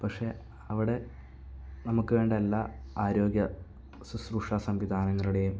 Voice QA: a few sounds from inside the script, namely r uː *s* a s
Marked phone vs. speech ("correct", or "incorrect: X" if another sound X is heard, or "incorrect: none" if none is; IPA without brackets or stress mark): incorrect: ʂ